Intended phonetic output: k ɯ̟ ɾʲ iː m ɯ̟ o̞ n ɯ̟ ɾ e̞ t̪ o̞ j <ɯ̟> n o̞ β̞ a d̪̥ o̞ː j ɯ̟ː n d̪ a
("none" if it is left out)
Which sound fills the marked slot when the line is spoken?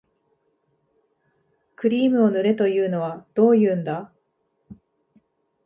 ɯ̟ː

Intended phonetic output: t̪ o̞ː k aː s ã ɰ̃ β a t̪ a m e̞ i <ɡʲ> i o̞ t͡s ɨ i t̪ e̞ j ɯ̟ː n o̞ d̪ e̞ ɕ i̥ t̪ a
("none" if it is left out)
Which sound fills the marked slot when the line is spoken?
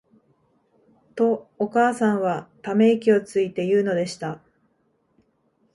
kʲ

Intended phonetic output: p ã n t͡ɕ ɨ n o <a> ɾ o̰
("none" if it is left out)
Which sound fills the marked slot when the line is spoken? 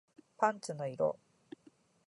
i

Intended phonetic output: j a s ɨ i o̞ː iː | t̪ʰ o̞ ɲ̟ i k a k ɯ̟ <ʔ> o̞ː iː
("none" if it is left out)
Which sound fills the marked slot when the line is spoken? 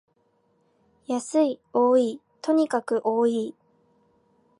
ʔ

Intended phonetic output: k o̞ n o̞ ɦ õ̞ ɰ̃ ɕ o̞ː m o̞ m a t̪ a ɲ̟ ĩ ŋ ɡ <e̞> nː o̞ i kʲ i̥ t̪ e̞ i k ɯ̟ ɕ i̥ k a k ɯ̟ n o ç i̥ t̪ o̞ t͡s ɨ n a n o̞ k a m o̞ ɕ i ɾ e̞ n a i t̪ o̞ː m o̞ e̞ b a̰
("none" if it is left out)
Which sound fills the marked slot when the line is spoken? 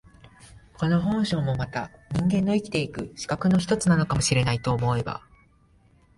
ẽ̞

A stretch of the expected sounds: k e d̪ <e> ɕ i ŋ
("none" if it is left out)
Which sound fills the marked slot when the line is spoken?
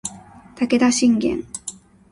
a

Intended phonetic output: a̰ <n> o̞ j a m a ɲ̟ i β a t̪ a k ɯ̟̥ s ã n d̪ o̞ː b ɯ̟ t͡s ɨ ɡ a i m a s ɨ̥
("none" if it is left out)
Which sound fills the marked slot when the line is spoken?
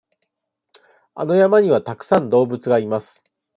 n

